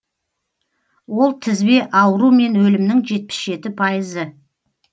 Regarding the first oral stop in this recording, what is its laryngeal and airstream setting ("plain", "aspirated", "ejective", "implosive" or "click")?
aspirated